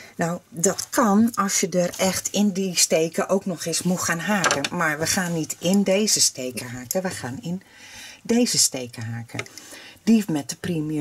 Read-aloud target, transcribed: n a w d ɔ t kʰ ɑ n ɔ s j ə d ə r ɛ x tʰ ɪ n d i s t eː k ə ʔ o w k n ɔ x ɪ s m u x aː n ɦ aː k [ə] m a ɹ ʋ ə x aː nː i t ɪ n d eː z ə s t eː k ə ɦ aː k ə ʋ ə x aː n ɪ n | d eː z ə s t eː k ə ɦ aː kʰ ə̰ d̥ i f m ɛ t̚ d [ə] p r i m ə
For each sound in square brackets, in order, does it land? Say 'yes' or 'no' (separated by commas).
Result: yes, yes